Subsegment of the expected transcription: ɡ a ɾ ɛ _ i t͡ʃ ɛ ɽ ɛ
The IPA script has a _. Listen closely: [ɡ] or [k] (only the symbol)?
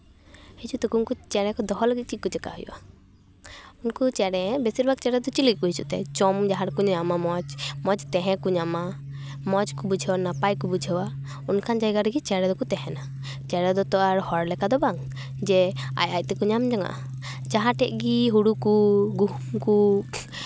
ɡ